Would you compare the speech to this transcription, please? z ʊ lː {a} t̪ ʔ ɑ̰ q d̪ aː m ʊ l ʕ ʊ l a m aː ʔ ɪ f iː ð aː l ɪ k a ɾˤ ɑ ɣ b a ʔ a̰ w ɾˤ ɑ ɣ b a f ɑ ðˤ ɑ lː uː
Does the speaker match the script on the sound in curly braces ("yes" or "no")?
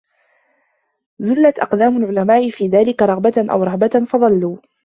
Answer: yes